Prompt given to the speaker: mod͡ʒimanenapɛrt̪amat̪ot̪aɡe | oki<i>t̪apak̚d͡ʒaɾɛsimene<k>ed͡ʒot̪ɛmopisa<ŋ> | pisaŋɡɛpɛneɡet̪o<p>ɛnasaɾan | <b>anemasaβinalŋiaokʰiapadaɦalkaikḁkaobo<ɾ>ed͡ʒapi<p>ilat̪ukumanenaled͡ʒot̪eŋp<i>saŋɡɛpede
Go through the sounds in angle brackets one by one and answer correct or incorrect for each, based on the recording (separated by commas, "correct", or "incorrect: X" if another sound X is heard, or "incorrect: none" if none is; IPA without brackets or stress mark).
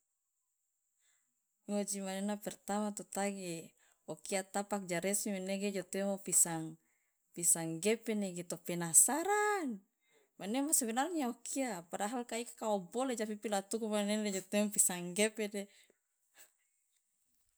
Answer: incorrect: a, incorrect: ɡ, correct, correct, incorrect: m, incorrect: l, correct, correct